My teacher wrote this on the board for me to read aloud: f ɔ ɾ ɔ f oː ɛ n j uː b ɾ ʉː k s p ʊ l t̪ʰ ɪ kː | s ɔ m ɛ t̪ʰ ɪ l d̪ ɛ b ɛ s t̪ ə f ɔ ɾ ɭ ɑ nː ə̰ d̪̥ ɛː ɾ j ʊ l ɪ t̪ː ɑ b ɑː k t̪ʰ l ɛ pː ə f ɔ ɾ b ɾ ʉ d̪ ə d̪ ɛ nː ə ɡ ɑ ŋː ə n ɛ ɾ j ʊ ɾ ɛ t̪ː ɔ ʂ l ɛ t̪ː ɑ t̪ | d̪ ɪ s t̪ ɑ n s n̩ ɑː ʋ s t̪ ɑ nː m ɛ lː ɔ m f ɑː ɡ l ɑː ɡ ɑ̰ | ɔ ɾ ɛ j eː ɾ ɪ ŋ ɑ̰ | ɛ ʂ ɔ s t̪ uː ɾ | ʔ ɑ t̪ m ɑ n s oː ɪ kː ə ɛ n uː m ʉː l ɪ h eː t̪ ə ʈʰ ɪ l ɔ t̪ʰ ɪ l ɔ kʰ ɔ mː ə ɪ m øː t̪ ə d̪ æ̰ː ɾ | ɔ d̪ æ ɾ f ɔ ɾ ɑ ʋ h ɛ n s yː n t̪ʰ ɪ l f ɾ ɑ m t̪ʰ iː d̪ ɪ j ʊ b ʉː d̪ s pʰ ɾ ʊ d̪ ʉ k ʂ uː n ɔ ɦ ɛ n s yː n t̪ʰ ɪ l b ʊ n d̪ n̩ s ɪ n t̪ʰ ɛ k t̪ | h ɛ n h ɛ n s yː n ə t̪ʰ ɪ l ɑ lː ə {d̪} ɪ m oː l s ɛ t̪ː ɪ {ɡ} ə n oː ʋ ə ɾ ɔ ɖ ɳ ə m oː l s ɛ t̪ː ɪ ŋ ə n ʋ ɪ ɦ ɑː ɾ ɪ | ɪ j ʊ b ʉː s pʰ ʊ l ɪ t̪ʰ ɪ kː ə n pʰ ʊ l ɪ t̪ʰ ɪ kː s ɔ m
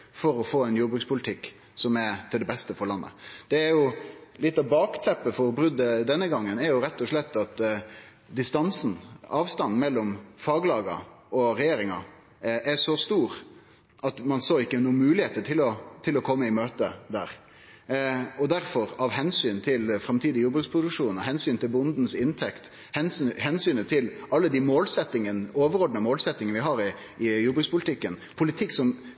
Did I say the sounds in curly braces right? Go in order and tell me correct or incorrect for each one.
correct, incorrect: ŋ

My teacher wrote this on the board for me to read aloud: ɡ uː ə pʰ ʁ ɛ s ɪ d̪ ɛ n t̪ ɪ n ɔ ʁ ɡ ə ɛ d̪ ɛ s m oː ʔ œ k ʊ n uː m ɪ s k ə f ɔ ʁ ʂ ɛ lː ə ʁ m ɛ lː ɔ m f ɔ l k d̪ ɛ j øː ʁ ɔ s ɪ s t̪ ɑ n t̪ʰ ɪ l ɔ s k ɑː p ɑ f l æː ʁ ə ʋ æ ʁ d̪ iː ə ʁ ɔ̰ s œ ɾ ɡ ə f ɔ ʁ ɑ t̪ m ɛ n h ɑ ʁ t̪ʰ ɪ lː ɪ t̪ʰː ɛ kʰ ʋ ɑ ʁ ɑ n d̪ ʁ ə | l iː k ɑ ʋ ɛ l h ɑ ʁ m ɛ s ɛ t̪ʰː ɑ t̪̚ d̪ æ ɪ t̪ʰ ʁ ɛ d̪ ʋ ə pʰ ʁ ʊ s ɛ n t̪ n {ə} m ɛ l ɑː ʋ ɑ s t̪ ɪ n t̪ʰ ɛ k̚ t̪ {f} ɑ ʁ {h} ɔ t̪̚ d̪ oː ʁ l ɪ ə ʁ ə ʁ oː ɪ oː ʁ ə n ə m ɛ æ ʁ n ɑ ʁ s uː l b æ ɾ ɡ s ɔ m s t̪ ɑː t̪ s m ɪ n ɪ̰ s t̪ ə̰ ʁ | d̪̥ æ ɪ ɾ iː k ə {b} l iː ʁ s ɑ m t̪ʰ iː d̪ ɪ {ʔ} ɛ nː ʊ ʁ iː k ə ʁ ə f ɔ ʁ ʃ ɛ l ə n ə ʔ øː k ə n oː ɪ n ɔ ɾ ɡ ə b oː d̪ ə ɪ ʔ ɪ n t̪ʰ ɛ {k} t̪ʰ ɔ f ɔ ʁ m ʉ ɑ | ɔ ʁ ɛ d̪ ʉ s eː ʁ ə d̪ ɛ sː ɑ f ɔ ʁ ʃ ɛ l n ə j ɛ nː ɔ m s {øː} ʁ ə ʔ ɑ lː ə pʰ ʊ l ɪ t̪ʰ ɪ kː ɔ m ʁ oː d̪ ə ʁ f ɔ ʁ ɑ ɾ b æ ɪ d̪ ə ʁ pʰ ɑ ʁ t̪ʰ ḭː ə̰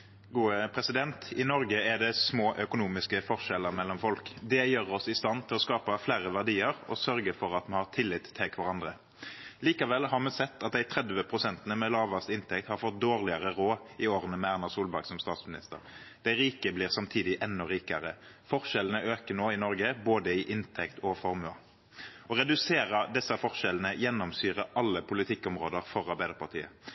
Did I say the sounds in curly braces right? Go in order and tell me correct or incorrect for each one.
correct, incorrect: h, incorrect: f, correct, correct, correct, incorrect: yː

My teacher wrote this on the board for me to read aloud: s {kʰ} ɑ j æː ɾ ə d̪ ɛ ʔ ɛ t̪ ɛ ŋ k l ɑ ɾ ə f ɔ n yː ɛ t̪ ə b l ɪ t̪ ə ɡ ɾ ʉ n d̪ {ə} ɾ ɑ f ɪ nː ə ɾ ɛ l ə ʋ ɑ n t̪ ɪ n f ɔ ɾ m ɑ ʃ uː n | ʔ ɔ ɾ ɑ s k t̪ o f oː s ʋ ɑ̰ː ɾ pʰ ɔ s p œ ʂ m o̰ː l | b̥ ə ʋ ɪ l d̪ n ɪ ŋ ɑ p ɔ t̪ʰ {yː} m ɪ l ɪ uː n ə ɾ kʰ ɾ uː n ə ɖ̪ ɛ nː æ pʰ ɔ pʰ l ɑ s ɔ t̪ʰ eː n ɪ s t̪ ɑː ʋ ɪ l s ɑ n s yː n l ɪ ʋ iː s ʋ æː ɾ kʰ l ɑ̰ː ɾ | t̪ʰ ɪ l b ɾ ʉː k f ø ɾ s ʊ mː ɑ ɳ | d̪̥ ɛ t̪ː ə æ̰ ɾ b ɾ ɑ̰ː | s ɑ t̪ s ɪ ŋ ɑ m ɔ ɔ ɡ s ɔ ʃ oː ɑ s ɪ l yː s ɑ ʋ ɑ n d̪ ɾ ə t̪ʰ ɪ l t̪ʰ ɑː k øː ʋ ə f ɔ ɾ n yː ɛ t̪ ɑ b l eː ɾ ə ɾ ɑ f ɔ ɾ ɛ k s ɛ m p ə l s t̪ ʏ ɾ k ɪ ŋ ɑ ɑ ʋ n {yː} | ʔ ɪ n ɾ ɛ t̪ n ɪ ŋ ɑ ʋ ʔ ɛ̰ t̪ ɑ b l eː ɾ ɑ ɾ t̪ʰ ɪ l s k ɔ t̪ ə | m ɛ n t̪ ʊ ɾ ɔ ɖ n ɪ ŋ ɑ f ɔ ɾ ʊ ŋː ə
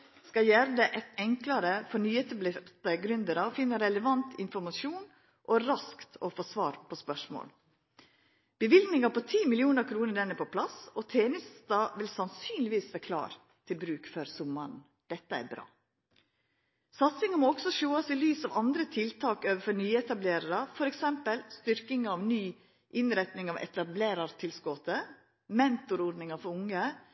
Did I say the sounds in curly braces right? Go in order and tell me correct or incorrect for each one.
incorrect: k, correct, incorrect: iː, correct

